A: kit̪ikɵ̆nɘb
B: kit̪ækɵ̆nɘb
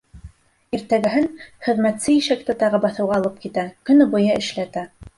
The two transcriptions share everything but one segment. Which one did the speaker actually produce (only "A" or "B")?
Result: B